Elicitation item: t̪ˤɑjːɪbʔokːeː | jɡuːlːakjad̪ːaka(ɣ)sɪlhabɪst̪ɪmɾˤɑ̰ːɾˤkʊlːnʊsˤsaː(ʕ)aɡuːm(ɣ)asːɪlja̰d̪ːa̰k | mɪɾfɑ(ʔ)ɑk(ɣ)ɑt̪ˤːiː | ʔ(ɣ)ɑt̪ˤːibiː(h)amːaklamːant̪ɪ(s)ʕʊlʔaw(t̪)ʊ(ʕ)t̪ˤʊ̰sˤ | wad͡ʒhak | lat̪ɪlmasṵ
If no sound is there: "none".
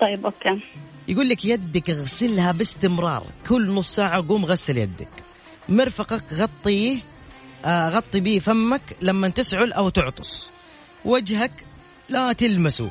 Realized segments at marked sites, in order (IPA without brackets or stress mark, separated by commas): ɣ, ʕ, ɣ, q, ɣ, ɣ, f, s, t̪, ʕ